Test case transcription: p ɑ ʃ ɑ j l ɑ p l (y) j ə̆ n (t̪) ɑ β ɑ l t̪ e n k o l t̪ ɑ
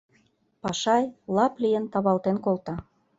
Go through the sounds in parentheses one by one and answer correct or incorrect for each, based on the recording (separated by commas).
incorrect, correct